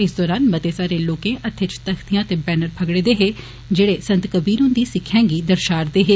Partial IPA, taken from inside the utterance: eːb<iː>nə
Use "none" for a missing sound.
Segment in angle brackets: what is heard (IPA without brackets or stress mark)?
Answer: ɛː